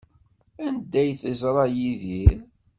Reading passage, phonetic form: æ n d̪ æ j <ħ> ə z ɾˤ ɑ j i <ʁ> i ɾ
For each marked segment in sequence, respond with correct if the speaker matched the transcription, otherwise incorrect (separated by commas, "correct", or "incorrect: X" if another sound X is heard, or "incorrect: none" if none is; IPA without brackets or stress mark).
incorrect: θ, incorrect: ð